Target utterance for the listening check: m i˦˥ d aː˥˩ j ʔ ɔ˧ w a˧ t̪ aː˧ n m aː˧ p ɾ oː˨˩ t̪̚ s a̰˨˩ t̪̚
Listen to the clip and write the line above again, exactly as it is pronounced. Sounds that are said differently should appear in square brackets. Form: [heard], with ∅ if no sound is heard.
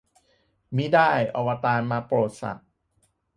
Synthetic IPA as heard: m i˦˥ d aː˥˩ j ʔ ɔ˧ w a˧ t̪ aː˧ n m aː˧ p ɾ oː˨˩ t̪̚ s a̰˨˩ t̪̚